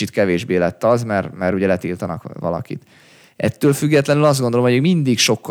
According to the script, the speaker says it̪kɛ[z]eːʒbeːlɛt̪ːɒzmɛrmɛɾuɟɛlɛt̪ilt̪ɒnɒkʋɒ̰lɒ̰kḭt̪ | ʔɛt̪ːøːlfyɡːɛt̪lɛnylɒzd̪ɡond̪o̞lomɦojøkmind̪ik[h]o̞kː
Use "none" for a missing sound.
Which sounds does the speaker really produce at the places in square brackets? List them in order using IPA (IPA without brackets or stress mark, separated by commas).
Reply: v, ʃ